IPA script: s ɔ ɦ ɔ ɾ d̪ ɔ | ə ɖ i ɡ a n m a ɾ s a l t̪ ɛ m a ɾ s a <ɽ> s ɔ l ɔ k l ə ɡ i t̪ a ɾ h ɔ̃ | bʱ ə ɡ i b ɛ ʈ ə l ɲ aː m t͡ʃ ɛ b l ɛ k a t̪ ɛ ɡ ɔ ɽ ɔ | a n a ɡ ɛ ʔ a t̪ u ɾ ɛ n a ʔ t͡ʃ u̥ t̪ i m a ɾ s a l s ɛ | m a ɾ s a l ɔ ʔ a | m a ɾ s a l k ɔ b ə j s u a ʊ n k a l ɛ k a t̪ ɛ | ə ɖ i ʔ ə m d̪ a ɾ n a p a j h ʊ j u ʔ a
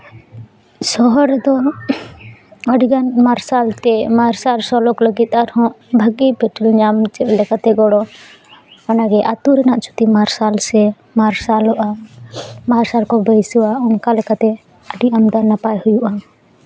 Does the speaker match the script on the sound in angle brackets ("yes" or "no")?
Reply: no